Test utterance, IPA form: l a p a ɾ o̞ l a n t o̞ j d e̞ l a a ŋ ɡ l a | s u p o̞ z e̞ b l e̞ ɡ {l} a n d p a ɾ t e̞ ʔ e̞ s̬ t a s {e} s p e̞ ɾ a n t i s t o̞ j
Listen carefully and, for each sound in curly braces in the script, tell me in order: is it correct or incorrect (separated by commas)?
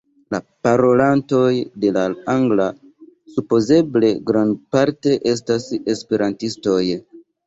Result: incorrect, correct